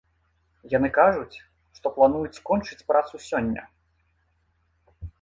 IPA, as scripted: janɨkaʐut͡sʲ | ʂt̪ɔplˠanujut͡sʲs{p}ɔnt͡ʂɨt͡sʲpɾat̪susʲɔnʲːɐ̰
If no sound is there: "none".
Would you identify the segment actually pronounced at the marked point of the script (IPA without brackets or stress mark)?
k